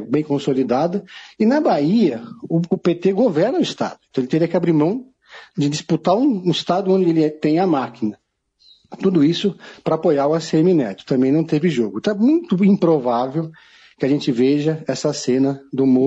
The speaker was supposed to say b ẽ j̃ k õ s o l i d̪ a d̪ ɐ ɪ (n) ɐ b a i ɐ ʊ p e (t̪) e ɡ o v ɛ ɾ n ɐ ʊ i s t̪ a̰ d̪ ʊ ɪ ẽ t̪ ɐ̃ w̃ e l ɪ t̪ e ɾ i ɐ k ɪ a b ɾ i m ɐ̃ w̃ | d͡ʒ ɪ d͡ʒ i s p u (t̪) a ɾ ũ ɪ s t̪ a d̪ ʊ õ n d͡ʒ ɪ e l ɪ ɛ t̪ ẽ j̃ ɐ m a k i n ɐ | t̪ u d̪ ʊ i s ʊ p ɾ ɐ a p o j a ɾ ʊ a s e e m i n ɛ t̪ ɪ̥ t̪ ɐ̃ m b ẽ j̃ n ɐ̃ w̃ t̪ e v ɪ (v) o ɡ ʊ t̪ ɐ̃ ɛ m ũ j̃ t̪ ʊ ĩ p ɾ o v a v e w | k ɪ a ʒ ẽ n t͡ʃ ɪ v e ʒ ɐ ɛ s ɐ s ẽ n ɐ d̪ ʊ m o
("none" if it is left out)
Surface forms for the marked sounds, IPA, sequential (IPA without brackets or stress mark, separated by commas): n, t̪, t̪, ʒ